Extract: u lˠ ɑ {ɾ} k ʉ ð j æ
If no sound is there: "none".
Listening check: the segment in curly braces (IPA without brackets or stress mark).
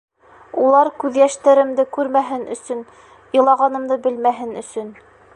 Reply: ɾ